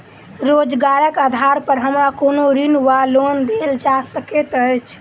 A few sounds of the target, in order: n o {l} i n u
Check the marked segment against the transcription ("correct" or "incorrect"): incorrect